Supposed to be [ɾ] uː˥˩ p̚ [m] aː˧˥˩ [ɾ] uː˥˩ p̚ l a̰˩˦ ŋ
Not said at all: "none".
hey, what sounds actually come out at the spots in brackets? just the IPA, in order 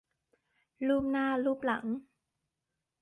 l, n, l

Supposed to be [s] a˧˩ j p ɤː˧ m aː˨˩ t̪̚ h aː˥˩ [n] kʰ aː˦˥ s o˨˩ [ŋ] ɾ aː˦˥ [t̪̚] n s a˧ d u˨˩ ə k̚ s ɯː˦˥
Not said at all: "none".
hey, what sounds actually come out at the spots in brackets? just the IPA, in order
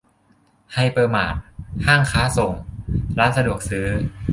h, ŋ, ŋ, none

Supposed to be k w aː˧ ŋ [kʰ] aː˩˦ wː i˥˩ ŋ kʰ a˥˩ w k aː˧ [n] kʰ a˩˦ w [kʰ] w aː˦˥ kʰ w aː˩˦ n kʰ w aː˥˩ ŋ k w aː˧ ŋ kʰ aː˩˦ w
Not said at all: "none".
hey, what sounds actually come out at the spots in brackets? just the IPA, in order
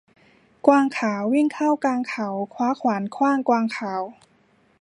kʰ, ŋ, kʰ

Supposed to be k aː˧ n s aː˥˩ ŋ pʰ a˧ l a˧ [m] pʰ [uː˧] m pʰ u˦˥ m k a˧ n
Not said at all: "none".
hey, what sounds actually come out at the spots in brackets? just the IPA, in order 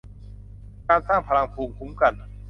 ŋ, uː˧

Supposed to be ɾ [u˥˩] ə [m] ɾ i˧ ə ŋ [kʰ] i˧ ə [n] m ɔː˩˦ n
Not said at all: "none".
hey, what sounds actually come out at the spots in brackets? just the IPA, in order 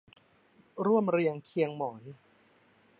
u˥˩, m, kʰ, ŋ

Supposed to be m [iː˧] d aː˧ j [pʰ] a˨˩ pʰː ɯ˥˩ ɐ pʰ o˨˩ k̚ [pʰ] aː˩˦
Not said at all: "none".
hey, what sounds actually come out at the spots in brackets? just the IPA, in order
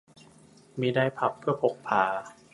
iː˧, pʰ, pʰ

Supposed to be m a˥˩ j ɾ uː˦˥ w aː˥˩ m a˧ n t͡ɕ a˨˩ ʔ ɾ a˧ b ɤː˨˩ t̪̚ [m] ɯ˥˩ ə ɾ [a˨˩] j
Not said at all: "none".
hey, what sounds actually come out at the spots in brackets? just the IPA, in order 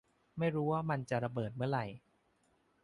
m, a˨˩

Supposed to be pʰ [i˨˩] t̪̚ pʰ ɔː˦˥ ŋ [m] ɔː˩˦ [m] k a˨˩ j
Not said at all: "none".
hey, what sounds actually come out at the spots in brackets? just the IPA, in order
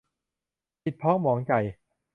i˨˩, m, ŋ

